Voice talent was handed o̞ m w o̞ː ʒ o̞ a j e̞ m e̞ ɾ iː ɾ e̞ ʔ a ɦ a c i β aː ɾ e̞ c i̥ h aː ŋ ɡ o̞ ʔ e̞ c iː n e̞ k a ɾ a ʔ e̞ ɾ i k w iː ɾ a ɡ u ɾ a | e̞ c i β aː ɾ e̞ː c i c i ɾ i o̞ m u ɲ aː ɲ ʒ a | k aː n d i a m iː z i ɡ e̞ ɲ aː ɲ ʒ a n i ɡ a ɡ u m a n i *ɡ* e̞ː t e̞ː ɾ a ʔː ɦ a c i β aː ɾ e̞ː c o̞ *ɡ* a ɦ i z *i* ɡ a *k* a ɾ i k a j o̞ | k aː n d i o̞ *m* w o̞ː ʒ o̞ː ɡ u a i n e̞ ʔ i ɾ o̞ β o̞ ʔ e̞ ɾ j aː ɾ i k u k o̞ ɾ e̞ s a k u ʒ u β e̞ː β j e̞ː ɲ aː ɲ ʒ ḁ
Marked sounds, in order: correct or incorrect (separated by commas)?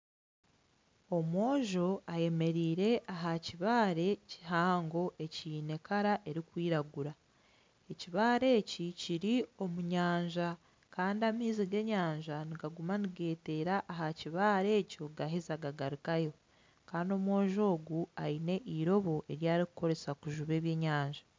correct, correct, incorrect, incorrect, correct